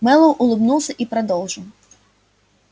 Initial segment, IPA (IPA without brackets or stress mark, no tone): m